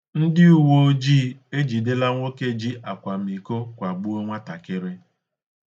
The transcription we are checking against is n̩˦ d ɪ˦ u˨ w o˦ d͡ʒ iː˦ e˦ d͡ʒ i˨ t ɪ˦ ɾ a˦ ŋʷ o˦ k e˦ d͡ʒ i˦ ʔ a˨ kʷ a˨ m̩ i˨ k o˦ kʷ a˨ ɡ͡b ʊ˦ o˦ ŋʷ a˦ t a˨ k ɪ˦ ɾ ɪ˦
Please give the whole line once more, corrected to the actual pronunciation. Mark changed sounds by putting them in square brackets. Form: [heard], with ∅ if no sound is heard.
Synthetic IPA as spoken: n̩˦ d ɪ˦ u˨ w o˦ d͡ʒ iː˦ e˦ d͡ʒ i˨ [d] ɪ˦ [l] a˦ ŋʷ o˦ k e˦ d͡ʒ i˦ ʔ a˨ kʷ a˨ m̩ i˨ k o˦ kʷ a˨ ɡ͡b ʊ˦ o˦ ŋʷ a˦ t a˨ k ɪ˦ ɾ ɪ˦